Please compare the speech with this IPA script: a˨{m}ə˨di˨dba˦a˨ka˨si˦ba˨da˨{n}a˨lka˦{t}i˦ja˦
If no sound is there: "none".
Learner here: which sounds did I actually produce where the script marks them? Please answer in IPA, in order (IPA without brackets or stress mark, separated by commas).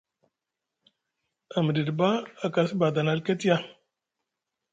m, n, t